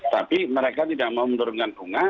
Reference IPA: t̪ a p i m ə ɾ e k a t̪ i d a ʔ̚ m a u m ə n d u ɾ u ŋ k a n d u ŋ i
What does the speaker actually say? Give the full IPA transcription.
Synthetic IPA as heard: t̪ a p i m ə ɾ e k a t̪ i d a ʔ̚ m a u m ə n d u ɾ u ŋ k a n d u ŋ a